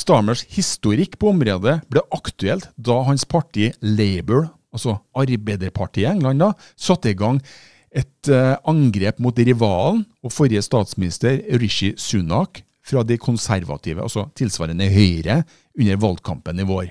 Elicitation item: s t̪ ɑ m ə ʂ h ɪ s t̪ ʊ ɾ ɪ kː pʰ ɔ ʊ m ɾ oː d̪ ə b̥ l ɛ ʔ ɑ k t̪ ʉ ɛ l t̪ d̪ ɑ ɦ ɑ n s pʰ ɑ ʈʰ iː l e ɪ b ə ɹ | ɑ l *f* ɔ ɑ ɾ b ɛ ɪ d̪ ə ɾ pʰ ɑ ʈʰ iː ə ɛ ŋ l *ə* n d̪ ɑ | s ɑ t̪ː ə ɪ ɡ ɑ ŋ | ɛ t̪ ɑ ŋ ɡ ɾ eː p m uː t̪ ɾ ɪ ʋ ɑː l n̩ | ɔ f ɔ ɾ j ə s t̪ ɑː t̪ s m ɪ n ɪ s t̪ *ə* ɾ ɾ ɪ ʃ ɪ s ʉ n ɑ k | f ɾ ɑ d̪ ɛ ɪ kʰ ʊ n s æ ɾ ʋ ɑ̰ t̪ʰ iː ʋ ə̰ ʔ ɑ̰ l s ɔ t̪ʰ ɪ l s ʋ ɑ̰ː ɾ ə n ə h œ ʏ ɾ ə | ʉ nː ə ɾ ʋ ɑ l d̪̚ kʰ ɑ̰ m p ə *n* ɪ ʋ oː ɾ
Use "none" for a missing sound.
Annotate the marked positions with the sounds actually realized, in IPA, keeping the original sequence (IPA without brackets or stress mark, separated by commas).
s, ɑ, ə, n